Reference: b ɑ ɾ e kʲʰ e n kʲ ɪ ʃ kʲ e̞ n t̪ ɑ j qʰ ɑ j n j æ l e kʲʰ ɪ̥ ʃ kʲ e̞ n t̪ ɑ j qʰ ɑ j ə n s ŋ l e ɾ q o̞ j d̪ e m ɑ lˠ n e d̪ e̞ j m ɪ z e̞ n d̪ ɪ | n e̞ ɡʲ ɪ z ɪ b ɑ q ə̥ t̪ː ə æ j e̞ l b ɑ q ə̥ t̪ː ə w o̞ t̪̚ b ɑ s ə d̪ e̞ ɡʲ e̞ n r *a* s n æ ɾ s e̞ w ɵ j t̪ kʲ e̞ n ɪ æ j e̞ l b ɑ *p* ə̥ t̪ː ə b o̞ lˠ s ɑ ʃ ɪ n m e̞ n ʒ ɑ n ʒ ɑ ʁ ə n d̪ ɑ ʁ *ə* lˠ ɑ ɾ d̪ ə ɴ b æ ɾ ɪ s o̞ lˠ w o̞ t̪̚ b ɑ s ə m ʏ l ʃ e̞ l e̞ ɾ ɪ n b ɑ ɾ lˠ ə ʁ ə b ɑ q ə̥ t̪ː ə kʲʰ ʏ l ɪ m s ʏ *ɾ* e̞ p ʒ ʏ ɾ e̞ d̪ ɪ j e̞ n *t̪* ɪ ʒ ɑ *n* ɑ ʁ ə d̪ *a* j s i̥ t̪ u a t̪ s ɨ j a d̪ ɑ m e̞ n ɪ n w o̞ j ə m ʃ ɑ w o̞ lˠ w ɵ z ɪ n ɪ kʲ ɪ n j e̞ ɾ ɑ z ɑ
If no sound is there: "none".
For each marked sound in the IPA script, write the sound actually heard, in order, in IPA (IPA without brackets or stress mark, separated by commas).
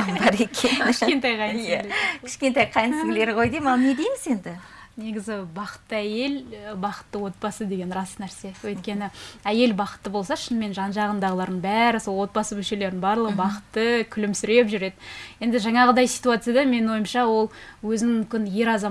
ɑ, q, ə, ɾ, d̪, ɴ, ɑ